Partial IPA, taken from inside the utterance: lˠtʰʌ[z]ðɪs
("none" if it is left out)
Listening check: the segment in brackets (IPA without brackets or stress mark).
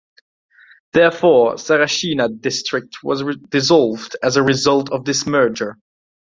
v